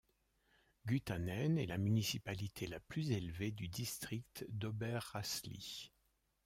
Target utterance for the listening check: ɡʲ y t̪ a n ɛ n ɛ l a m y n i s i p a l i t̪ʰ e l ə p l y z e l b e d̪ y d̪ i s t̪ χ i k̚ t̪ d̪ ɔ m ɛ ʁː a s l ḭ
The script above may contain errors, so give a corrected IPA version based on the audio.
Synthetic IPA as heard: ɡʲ y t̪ a n ɛ n ɛ l a m y n i s i p a l i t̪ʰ e l a p l y z e l v e d̪ y d̪ i s t̪ χ i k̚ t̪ d̪ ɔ b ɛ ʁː a s l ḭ